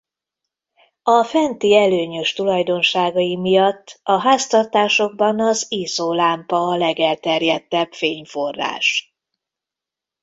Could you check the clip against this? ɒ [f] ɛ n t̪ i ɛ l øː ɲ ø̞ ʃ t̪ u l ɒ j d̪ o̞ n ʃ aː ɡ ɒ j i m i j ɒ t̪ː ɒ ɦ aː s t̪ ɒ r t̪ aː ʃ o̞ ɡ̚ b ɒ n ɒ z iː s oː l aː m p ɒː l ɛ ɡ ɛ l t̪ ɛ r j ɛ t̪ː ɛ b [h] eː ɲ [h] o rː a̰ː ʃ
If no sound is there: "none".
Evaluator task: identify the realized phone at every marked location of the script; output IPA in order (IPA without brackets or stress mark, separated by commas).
f, f, f